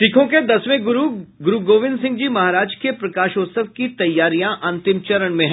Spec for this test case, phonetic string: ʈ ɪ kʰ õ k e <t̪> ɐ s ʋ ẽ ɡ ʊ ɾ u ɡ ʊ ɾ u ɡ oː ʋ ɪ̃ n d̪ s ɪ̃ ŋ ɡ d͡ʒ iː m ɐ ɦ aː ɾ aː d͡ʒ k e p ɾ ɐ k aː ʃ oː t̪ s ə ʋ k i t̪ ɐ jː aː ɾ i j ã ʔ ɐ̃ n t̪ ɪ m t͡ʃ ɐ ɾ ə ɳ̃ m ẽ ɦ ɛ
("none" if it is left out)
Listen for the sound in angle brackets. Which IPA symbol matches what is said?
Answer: d̪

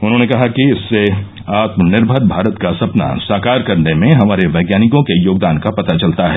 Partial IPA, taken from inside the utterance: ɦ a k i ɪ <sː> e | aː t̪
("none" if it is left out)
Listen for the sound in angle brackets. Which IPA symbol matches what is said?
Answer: sː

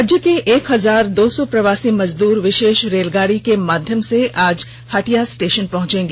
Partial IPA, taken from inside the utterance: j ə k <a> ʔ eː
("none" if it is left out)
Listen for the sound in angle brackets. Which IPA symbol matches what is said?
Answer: e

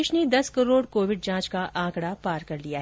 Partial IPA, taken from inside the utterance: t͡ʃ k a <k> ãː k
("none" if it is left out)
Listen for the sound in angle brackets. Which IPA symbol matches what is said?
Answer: ʔ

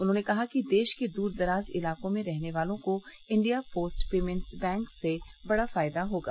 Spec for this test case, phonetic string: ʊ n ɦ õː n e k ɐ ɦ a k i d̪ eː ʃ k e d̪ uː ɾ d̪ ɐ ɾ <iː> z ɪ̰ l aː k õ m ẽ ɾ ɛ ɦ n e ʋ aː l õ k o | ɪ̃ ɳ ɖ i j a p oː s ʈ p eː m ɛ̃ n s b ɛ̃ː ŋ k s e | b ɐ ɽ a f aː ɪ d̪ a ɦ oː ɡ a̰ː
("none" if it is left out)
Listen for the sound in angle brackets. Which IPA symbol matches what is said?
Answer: aː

